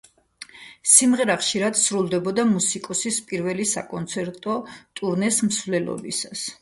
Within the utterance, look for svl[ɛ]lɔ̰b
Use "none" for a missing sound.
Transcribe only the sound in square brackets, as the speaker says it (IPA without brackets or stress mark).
ɛ